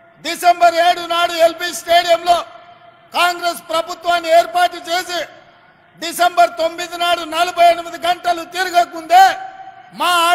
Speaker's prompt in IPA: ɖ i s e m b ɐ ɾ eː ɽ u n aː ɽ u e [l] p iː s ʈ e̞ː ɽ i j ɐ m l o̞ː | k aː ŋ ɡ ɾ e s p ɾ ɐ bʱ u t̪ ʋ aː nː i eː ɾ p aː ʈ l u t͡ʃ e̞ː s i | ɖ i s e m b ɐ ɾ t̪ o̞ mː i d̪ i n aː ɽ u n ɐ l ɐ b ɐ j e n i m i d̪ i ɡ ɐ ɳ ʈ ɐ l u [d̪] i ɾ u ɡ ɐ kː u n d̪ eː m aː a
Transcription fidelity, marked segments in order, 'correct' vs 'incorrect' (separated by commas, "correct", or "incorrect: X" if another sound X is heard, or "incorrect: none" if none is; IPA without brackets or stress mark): correct, incorrect: t̪